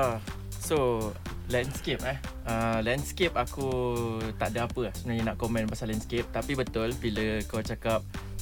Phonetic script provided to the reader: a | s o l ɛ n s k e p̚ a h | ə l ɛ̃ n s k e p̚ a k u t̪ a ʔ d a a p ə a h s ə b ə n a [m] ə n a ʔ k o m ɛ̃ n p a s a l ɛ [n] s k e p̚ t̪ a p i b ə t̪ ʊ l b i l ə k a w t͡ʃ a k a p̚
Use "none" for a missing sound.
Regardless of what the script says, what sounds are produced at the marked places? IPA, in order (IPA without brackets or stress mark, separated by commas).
ɲ, n